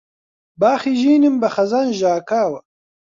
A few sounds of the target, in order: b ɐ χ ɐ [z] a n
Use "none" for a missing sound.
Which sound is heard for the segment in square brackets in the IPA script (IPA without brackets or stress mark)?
z